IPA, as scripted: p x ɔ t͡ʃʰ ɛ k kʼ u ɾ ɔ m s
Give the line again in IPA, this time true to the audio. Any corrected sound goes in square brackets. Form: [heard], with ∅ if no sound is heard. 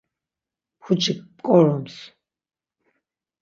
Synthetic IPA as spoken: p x [u] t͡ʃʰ [i] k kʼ [ɔ] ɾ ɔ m s